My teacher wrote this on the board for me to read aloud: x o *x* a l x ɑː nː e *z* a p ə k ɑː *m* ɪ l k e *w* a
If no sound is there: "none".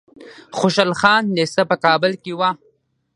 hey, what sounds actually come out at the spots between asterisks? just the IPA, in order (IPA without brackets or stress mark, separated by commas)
ʃ, s, b, w